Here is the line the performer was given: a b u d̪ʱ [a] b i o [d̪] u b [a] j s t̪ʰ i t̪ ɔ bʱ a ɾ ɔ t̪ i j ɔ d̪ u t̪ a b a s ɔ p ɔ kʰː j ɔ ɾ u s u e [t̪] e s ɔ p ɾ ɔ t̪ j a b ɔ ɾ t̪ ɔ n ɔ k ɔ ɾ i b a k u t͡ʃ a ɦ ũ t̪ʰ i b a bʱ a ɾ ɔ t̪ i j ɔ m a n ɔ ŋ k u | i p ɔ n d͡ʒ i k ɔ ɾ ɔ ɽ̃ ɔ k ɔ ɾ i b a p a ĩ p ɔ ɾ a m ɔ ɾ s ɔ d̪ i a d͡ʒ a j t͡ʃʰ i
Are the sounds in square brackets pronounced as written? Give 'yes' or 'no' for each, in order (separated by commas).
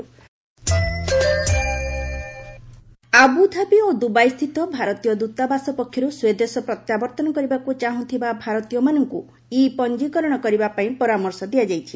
yes, yes, yes, no